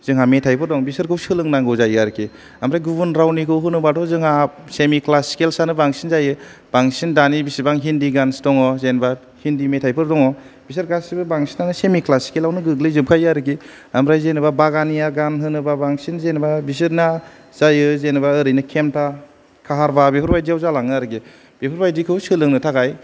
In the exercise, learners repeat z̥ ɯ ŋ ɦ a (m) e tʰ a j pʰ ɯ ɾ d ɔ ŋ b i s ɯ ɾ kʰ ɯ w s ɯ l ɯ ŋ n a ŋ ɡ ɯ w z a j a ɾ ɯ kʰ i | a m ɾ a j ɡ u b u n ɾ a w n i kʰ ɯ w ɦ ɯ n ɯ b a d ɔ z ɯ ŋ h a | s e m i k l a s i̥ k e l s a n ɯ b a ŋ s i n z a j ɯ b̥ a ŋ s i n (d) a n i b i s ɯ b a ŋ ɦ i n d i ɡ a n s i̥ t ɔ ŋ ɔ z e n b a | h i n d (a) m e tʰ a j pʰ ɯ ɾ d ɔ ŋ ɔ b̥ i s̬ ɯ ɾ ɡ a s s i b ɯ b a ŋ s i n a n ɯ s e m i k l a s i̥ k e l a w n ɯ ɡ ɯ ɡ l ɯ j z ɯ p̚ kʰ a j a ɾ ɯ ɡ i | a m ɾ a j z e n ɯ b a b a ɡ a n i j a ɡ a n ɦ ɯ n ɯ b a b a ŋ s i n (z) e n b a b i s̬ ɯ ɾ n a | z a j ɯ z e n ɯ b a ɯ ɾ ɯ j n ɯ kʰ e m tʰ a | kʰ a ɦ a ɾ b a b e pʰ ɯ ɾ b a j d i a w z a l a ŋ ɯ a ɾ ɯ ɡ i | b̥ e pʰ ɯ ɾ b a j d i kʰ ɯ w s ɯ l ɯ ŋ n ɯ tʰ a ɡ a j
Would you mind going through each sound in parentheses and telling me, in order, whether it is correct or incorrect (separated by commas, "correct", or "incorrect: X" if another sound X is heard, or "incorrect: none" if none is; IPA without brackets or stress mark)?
correct, correct, incorrect: i, correct